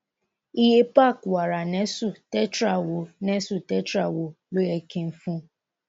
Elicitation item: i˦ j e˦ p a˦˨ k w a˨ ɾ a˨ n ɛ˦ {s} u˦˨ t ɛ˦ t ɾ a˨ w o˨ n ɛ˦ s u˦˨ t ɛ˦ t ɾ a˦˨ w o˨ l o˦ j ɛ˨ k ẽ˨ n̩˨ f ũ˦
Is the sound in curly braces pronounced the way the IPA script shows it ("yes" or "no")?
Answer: yes